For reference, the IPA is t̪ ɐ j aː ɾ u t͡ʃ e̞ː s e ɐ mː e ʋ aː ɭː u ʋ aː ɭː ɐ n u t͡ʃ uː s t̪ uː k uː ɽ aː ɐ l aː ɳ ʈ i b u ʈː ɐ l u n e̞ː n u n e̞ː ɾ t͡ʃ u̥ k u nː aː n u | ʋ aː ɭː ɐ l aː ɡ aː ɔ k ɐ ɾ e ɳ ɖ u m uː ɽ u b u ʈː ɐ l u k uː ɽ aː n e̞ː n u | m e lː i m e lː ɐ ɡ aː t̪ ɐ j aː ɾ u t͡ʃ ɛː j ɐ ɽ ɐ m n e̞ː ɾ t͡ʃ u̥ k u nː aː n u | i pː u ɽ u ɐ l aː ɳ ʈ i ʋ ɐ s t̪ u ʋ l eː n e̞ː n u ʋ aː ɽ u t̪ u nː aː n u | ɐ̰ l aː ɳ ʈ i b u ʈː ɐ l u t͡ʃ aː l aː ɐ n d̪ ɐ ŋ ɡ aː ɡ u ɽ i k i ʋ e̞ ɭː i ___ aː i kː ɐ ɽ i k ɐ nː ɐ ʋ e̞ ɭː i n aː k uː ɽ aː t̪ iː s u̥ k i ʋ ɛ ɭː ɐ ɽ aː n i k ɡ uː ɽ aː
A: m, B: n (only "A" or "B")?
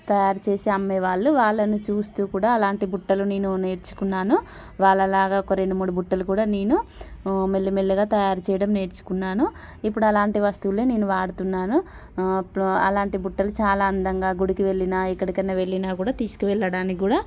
B